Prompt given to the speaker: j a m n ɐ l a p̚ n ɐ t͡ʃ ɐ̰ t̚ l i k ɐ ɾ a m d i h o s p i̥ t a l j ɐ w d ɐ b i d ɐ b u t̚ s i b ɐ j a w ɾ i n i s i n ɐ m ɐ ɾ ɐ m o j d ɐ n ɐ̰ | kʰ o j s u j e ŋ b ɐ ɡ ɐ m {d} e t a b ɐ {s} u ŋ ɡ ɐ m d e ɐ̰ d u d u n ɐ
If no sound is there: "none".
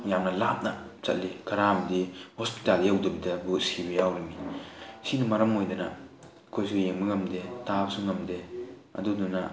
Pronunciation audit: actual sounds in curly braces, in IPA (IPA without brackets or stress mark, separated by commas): d, s